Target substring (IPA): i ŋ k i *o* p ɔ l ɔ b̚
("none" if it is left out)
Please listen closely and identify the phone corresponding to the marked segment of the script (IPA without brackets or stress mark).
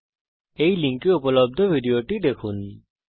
u